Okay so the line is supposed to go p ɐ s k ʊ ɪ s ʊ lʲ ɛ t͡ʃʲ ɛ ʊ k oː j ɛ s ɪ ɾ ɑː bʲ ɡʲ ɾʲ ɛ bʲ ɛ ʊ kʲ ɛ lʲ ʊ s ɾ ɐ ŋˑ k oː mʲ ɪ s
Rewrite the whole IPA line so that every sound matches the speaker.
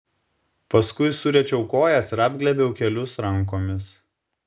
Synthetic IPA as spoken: p ɐ s k ʊ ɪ s ʊ ɾʲ ɛ t͡ʃʲ ɛ ʊ k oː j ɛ s ɪ ɾ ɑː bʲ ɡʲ lʲ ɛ bʲ ɛ ʊ kʲ ɛ lʲ ʊ s ɾ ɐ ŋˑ k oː mʲ ɪ s

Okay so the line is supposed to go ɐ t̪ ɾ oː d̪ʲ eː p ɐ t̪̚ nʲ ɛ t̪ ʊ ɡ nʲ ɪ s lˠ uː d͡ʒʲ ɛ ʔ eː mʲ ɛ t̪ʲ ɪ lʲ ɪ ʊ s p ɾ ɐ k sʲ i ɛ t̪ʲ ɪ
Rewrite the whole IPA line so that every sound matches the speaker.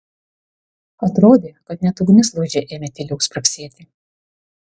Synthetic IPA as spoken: ɐ t̪ ɾ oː d̪ʲ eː k ɐ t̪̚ nʲ ɛ t̪ ʊ ɡ nʲ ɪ s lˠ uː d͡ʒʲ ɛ ʔ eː mʲ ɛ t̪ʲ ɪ lʲ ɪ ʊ s p ɾ ɐ k sʲ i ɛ t̪ʲ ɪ

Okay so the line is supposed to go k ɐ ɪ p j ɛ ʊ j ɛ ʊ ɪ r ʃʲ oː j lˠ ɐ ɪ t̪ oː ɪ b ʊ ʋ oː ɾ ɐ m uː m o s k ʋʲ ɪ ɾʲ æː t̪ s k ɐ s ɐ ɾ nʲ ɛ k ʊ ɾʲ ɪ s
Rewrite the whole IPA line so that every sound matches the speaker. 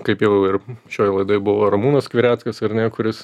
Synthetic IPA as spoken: k ɐ ɪ p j ɛ ʊ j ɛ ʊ ɪ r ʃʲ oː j lˠ ɐ ɪ d̪ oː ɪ b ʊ ʋ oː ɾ ɐ m uː n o s k ʋʲ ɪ ɾʲ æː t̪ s k ɐ s ɐ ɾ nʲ ɛ k ʊ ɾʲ ɪ s

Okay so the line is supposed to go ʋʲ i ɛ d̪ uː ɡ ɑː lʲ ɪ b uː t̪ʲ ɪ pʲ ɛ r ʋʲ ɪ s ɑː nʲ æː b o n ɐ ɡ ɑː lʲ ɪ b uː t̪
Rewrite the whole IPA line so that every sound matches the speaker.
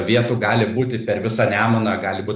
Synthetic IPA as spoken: ʋʲ i ɛ t̪ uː ɡ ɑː lʲ ɪ b uː t̪ʲ ɪ pʲ ɛ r ʋʲ ɪ s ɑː nʲ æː m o n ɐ ɡ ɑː lʲ ɪ b uː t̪

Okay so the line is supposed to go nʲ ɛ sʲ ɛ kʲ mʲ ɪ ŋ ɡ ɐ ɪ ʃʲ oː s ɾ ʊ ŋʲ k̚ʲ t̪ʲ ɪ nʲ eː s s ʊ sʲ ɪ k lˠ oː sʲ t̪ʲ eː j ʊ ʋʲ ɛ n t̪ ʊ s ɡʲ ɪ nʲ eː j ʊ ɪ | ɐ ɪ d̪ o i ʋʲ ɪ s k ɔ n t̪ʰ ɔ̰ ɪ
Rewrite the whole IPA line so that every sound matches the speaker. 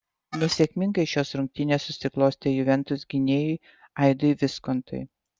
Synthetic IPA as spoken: nʲ ɛ sʲ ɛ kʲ mʲ ɪ ŋ ɡ ɐ ɪ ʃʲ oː s ɾ ʊ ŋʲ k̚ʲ t̪ʲ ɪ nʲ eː s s ʊ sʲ ɪ k lˠ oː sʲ t̪ʲ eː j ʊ ʋʲ ɛ n t̪ ʊ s ɡʲ ɪ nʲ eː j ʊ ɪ | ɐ ɪ d̪ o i ʋʲ ɪ s k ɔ n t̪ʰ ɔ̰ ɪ

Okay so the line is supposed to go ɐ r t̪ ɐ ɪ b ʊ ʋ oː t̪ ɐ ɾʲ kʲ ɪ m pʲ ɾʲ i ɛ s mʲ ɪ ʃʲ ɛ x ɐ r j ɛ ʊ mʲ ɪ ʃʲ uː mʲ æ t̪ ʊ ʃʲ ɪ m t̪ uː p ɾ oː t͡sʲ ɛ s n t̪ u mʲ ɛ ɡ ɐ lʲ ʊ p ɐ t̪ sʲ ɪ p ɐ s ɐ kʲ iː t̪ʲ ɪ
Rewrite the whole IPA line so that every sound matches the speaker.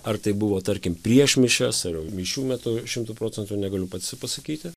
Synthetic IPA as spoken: ɐ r t̪ ɐ ɪ b ʊ ʋ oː t̪ ɐ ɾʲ kʲ ɪ m pʲ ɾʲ i ɛ ʃ mʲ ɪ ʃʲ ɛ s ɐ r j ɛ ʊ mʲ ɪ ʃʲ uː mʲ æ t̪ ʊ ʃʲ ɪ m t̪ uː p ɾ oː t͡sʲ ɛ n t̪ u nʲ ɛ ɡ ɐ lʲ ʊ p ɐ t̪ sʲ ɪ p ɐ s ɐ kʲ iː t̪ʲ ɪ

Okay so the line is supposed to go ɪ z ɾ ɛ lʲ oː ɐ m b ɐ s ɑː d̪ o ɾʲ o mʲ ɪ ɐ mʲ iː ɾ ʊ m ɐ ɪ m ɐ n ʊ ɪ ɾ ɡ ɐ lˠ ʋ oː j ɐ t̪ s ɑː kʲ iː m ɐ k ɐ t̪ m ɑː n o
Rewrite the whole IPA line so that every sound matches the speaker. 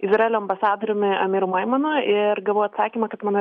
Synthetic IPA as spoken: ɪ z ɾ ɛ lʲ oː ɐ m b ɐ s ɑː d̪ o ɾʲ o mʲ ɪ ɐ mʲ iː ɾ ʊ m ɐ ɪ m ɐ n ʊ ɪ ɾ ɡ ɐ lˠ ʋ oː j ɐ t̪ s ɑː kʲ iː m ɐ k ɐ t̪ m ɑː n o

